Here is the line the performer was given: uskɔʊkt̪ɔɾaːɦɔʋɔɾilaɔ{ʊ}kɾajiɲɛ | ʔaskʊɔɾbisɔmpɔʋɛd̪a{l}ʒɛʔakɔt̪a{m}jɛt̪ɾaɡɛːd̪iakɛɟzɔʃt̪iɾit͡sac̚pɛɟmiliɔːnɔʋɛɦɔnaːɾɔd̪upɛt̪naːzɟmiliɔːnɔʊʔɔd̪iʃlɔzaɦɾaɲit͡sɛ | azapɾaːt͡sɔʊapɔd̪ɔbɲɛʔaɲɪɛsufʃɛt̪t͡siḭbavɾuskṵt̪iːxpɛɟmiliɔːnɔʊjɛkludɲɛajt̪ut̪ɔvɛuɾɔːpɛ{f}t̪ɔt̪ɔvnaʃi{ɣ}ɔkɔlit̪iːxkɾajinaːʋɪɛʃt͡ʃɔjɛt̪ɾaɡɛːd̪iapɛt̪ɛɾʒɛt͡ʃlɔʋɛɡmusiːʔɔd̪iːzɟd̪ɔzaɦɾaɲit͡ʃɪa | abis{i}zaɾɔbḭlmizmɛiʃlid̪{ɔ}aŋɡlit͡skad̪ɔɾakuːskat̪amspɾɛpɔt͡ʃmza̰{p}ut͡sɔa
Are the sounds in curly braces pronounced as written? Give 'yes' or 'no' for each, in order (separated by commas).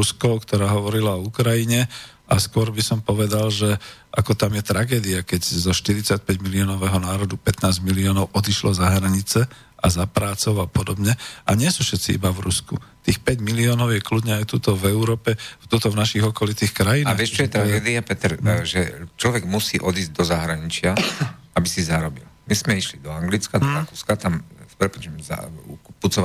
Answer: no, yes, yes, yes, yes, yes, yes, yes